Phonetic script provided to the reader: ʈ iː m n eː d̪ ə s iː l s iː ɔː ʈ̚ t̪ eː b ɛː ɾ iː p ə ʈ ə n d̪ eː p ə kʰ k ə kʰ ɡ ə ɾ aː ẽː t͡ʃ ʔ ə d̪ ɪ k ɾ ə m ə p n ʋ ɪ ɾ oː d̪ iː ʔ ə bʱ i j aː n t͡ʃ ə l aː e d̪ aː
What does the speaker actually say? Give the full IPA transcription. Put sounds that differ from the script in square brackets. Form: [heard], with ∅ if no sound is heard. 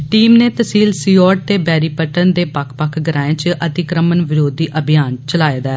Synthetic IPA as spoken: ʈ iː m n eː [t̪] ə s iː l s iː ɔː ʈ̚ t̪ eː b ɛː ɾ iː p ə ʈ ə n d̪ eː p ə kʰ [p] ə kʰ ɡ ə ɾ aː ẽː t͡ʃ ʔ ə [t̪] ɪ k ɾ ə m ə [∅] n ʋ ɪ ɾ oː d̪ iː ʔ ə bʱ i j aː n t͡ʃ ə l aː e d̪ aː